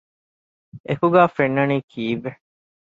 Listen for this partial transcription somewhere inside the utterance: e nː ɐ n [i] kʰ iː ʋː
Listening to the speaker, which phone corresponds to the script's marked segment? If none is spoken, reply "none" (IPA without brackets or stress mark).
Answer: iː